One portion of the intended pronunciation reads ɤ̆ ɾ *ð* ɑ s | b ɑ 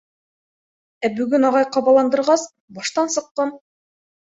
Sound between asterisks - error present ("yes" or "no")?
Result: yes